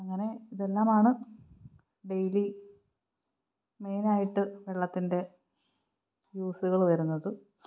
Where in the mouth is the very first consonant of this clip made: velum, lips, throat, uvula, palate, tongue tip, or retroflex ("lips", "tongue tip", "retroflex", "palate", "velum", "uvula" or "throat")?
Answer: velum